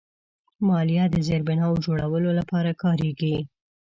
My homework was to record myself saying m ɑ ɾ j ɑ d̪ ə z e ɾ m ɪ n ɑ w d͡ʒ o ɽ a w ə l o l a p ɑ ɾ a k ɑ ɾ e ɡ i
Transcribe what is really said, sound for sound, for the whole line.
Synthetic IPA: m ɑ l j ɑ d̪ ə z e ɾ b ɪ n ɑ w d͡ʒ o ɽ a w ə l o l a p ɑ ɾ a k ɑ ɾ e ɡ i